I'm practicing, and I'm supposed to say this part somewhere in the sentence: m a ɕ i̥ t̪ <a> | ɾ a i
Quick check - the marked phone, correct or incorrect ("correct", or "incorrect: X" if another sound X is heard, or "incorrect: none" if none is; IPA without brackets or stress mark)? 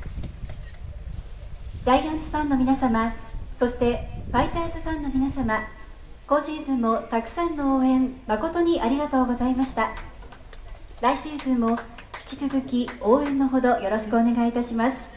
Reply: correct